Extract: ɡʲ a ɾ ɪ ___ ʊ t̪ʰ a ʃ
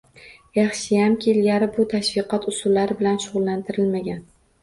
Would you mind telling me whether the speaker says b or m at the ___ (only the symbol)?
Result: b